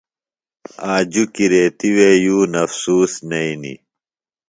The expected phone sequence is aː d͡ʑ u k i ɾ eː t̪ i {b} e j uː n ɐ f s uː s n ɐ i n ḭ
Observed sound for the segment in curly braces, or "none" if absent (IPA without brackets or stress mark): w